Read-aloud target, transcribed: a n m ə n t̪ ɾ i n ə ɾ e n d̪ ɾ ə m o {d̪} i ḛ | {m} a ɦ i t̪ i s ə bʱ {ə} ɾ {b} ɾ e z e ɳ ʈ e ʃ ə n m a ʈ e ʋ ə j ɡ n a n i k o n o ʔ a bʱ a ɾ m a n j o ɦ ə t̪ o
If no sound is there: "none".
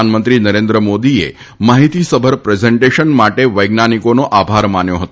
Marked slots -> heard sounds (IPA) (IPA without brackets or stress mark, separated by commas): d̪, m, ə, p